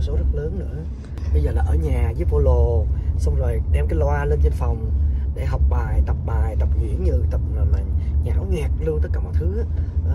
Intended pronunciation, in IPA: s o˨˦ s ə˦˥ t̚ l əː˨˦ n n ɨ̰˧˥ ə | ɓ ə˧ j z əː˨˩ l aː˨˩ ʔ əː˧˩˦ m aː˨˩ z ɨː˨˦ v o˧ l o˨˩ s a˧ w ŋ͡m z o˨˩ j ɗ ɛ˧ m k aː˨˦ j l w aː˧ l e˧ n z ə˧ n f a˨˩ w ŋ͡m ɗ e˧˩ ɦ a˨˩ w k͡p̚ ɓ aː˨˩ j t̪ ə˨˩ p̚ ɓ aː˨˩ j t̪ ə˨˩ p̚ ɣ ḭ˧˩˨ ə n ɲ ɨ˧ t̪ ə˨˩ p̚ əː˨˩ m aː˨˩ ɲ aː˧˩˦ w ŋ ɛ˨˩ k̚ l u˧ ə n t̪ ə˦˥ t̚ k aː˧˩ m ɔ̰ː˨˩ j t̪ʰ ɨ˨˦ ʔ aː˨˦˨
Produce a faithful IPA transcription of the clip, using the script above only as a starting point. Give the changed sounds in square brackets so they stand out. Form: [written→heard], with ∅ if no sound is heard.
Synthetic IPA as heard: s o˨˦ [s→z] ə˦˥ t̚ l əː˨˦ n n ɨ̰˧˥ ə | ɓ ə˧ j z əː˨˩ l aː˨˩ ʔ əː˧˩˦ [m→ɲ] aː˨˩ z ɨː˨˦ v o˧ l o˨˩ s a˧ w ŋ͡m z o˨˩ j ɗ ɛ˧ m k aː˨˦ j l w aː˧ l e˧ n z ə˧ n f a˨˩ w ŋ͡m ɗ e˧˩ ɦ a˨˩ w k͡p̚ ɓ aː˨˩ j t̪ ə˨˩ p̚ ɓ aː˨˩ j t̪ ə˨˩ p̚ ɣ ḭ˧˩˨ ə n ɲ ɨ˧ t̪ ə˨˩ p̚ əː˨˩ m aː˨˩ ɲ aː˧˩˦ w ŋ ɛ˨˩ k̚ l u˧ ə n t̪ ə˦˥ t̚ k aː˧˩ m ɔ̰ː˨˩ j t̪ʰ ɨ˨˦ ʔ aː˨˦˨